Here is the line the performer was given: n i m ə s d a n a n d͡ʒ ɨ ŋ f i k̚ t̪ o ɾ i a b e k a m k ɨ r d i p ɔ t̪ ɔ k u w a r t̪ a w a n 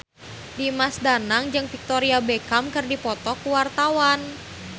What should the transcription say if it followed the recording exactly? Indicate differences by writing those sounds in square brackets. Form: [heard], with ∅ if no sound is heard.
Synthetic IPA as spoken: [d] i m [a] s d a n a [ŋ] d͡ʒ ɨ ŋ f i k̚ t̪ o ɾ i a b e k a m k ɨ r d i p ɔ t̪ ɔ k u w a r t̪ a w a n